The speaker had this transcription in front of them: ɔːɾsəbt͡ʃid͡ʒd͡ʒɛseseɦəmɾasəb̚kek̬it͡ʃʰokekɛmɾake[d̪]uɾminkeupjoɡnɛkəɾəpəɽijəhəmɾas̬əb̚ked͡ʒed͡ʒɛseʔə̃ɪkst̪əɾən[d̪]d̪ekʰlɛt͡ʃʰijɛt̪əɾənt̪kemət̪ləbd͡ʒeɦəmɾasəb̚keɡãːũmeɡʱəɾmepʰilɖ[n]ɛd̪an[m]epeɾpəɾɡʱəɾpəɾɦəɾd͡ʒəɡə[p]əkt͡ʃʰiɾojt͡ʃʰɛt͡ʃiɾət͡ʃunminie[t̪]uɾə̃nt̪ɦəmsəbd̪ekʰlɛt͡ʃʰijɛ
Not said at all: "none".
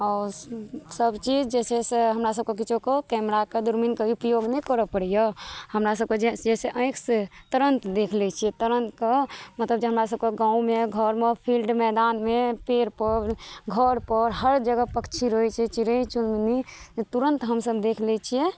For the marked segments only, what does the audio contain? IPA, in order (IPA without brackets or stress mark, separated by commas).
d̪, t̪, m, m, p, t̪